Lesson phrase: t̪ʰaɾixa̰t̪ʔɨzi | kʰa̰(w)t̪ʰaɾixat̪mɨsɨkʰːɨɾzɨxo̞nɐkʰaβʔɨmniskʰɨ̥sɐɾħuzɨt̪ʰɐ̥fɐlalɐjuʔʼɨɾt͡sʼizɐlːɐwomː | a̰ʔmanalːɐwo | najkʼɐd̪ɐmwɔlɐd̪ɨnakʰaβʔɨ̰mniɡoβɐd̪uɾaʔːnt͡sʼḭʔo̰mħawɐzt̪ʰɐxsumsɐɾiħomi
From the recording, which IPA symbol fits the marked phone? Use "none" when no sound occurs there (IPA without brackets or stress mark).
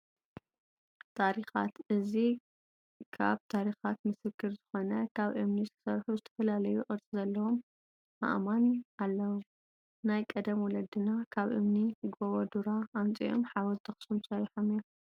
β